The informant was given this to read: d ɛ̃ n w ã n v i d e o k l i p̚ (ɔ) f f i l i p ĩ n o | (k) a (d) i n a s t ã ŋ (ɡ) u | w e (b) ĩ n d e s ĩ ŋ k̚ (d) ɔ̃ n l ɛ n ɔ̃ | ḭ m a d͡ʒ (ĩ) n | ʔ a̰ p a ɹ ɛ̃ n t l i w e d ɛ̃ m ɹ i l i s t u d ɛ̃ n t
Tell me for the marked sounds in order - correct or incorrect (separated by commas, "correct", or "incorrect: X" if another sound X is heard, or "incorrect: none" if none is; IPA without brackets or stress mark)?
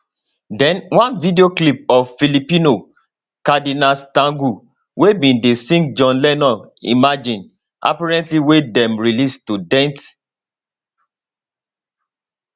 correct, correct, correct, correct, correct, incorrect: d͡ʒ, correct